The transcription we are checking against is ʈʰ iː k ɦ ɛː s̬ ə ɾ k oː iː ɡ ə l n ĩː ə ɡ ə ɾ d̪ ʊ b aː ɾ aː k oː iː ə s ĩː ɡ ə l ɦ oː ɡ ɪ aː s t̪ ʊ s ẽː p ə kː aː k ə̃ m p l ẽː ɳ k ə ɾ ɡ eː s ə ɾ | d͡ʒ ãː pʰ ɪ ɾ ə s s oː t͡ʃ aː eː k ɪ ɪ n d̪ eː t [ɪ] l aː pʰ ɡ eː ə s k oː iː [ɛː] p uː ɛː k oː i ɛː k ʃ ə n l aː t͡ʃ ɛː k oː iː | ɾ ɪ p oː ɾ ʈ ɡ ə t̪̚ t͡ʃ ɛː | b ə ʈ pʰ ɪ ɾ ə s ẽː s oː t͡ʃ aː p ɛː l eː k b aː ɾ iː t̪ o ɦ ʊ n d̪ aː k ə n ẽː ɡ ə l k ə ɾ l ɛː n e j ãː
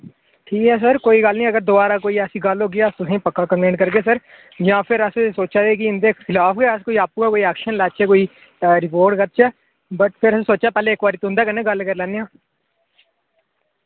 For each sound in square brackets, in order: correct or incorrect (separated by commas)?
correct, incorrect